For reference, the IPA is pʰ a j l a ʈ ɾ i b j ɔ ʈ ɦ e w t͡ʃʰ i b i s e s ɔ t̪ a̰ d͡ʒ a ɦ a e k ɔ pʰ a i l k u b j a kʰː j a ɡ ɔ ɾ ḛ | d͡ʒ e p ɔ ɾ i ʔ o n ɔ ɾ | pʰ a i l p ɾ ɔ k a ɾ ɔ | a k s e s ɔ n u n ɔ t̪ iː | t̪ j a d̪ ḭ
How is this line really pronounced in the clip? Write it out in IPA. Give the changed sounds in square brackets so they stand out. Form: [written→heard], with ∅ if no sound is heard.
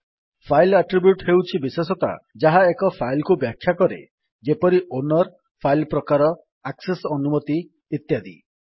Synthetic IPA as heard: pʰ a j l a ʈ ɾ i b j [ɔ→u] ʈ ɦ e w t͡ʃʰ i b i s e s ɔ t̪ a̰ d͡ʒ a ɦ a e k ɔ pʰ a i l k u b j a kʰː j a [ɡ→k] ɔ ɾ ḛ | d͡ʒ e p ɔ ɾ i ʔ o n ɔ ɾ | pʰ a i l p ɾ ɔ k a ɾ ɔ | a k s e s ɔ n u [n→m] ɔ t̪ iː | t̪ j a d̪ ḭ